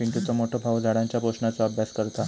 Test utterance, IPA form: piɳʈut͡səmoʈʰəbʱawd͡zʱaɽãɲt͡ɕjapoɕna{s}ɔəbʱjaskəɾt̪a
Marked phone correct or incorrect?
incorrect